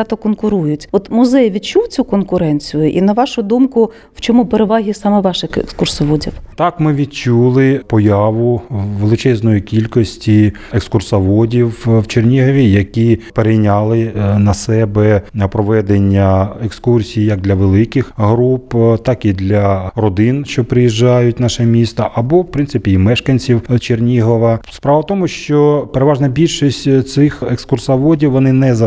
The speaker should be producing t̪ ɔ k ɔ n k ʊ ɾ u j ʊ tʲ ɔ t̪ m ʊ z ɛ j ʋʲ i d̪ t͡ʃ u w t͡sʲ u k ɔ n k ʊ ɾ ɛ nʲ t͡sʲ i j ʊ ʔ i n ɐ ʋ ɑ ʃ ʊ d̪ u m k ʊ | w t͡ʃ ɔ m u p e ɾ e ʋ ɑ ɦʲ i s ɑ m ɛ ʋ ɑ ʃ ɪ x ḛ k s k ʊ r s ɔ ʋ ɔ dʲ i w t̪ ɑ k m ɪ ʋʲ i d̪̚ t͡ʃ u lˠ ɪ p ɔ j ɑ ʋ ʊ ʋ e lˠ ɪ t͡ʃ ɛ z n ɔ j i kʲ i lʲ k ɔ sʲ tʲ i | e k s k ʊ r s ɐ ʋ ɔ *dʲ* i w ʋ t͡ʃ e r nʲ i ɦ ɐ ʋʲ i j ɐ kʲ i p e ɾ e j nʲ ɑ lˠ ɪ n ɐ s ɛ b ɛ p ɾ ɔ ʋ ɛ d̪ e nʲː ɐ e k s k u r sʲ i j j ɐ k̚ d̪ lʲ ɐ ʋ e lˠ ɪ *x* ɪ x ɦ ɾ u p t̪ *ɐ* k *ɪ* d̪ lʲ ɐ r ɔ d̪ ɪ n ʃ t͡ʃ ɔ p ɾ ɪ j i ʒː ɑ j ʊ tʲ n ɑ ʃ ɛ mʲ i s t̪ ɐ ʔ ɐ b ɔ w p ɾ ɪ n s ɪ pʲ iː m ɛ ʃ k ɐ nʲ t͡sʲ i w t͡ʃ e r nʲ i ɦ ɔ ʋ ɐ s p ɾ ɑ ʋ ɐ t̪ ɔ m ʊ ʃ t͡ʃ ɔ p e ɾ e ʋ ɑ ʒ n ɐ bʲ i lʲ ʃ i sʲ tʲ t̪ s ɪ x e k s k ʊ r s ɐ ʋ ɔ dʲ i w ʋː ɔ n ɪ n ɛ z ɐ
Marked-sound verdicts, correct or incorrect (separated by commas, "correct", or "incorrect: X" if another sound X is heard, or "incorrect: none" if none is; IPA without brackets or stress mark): correct, incorrect: k, incorrect: ɑ, incorrect: i